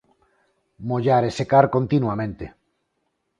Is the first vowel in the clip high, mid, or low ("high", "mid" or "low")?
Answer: mid